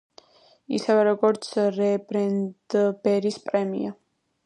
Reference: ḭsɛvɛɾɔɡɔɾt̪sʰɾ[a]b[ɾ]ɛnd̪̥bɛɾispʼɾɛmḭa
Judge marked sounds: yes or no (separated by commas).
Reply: no, yes